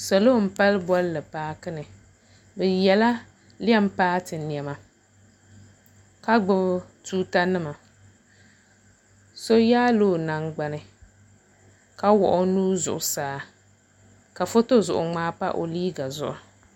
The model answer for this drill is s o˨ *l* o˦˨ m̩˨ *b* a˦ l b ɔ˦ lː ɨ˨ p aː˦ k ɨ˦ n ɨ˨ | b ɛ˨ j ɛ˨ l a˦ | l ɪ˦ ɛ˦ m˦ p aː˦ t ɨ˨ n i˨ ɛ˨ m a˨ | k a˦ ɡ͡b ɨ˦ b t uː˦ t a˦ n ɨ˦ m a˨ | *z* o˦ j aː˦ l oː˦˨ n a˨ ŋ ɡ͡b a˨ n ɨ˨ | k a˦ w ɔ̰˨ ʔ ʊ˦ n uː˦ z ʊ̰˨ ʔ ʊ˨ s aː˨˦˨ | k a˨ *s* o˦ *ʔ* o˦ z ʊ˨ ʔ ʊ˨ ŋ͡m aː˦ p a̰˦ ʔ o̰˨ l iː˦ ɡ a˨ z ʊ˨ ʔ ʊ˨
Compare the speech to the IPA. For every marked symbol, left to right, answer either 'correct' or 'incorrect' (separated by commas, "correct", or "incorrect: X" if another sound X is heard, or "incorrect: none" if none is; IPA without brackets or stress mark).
correct, incorrect: p, incorrect: s, incorrect: f, incorrect: t